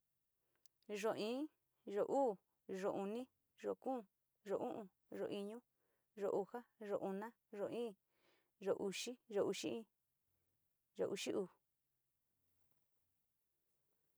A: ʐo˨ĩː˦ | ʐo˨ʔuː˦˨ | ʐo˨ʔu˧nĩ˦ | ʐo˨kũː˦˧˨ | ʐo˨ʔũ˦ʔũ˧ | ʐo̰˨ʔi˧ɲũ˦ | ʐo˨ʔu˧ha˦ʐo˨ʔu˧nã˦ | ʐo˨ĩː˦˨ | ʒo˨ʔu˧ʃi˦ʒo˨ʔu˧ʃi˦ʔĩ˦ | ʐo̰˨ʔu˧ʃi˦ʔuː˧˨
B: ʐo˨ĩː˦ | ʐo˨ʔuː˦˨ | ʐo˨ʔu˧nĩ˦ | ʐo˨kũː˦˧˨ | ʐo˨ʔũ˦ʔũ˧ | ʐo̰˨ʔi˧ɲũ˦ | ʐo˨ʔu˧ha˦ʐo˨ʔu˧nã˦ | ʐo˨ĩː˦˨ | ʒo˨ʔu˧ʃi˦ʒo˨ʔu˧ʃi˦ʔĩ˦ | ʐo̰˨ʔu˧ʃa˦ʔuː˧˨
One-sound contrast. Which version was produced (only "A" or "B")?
A